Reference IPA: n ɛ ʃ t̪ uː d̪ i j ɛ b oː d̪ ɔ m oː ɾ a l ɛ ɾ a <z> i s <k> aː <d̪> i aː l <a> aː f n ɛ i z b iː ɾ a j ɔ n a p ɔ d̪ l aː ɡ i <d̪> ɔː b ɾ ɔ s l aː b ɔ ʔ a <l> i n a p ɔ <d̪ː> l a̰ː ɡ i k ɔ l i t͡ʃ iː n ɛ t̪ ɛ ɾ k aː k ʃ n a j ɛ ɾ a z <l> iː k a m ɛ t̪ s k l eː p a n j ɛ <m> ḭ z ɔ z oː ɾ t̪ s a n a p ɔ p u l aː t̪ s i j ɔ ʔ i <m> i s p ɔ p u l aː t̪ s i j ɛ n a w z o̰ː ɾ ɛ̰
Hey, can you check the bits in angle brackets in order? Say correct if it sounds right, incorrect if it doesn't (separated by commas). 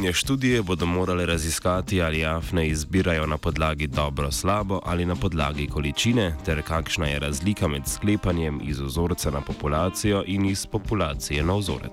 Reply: correct, correct, incorrect, incorrect, correct, correct, incorrect, correct, correct, incorrect